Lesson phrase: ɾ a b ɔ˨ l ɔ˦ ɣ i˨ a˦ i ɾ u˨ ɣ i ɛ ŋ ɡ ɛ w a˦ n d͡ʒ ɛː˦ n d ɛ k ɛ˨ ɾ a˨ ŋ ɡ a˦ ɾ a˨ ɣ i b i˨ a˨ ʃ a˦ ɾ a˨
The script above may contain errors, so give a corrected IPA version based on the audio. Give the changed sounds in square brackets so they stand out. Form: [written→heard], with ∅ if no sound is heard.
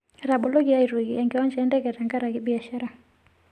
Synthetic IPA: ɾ a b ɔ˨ l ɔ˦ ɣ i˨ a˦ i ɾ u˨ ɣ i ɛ ŋ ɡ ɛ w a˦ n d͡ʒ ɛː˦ n d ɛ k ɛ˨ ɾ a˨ ŋ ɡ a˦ ɾ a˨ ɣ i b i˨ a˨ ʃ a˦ ɾ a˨